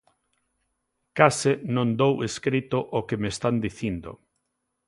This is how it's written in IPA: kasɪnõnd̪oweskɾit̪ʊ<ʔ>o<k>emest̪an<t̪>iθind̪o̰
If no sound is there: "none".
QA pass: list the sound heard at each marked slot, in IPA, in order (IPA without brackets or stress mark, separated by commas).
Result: ʔ, k, d̪